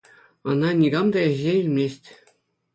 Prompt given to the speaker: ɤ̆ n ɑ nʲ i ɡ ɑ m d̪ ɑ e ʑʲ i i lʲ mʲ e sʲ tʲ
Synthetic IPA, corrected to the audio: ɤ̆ n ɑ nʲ i ɡ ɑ m d̪ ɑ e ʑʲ e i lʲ mʲ e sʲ tʲ